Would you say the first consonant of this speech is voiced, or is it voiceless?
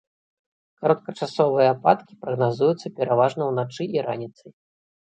voiceless